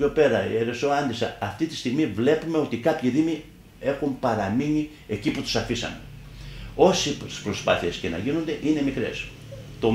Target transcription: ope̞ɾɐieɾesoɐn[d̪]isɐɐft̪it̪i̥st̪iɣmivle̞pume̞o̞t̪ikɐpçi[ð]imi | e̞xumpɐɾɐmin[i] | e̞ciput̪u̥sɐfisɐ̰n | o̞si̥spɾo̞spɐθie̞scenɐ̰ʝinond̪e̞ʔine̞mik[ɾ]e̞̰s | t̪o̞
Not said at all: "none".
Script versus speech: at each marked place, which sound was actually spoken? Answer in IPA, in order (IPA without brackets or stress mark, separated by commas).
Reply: d̪, ð, i, ɾ